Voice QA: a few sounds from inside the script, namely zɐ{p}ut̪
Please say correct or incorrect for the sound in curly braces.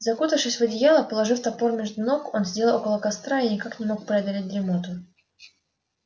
incorrect: k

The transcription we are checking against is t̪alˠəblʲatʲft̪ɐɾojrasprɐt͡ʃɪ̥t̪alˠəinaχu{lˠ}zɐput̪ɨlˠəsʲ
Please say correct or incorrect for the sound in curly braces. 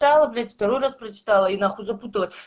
incorrect: none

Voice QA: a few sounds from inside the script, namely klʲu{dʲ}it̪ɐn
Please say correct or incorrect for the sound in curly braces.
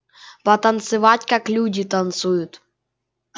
correct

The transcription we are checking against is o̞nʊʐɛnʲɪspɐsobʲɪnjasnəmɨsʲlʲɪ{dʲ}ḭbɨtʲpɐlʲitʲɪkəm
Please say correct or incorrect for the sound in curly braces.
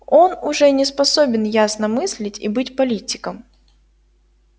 incorrect: tʲ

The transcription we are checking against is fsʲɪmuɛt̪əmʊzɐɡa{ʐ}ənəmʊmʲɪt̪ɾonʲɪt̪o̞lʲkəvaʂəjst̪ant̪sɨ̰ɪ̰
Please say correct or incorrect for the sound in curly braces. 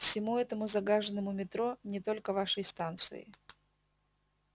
correct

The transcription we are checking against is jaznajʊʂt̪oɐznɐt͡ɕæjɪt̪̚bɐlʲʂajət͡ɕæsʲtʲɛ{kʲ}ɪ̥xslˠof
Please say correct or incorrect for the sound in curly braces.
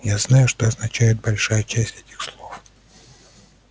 incorrect: tʲ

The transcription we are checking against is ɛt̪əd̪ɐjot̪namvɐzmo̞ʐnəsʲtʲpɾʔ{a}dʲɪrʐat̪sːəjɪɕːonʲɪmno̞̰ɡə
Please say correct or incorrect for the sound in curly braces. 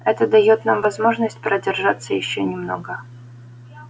incorrect: ə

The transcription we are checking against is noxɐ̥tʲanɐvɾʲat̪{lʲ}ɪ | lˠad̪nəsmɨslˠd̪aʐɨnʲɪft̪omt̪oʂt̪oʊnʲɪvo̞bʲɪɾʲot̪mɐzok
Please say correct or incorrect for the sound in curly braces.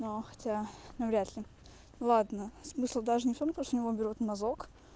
correct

